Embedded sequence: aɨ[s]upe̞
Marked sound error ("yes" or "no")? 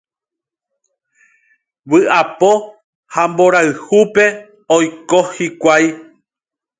yes